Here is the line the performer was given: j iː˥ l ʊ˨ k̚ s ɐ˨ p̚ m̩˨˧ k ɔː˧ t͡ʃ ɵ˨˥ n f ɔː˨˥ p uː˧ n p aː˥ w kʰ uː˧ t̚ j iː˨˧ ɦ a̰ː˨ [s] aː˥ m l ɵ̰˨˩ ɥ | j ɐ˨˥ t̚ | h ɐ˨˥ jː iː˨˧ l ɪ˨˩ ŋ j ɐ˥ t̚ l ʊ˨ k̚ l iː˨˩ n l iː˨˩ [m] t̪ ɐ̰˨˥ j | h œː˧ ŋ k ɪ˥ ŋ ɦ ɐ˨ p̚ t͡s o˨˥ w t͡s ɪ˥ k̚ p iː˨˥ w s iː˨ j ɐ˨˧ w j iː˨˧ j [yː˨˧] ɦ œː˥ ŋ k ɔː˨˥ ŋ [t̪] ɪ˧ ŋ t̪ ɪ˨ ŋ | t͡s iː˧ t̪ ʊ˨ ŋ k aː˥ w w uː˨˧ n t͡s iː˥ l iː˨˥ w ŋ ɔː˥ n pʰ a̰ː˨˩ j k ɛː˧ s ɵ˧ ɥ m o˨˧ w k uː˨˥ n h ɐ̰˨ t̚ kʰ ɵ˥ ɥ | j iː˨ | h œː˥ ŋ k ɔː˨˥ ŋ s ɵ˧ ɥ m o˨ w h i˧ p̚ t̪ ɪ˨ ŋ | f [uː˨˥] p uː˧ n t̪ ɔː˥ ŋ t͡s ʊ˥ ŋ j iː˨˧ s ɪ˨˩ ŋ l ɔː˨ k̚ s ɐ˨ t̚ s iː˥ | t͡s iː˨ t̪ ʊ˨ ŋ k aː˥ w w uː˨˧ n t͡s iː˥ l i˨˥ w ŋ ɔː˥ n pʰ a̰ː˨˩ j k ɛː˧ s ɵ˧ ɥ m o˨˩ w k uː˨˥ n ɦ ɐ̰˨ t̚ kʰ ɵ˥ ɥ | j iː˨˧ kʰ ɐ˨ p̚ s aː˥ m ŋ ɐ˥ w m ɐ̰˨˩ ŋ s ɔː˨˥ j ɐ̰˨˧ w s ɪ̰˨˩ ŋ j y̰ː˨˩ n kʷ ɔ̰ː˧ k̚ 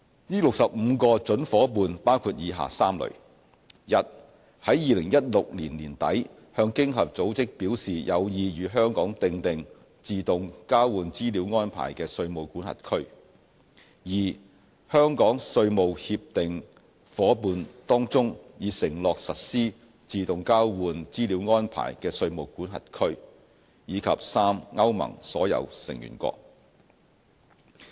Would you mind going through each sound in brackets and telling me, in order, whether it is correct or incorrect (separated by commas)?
correct, incorrect, correct, correct, incorrect